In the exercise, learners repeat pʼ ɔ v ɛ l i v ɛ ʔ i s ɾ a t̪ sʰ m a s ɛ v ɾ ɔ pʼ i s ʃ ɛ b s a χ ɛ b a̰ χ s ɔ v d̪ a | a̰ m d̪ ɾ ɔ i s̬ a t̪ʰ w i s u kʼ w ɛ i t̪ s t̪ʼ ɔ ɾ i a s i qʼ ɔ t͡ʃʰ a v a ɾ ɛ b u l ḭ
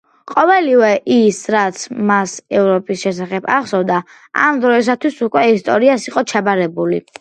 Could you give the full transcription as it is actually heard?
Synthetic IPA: qʼ ɔ v ɛ l i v ɛ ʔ i s ɾ a t̪ sʰ m a s ɛ v ɾ ɔ pʼ i s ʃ ɛ s a χ ɛ b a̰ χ s ɔ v d̪ a | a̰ m d̪ ɾ ɔ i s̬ a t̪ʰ w i s u kʼ w ɛ i s t̪ʼ ɔ ɾ i a s i qʼ ɔ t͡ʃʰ a b a ɾ ɛ b u l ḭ